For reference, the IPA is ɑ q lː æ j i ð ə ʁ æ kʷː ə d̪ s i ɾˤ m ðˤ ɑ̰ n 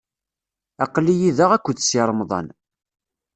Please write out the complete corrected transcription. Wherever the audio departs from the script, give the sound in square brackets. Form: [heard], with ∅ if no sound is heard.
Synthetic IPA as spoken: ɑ q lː [i] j i ð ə ʁ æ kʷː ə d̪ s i ɾˤ m ðˤ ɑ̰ n